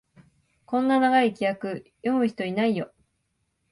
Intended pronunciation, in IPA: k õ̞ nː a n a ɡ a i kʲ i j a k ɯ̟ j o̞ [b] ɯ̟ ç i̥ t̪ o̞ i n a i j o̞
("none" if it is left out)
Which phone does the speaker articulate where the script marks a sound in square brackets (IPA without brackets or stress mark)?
m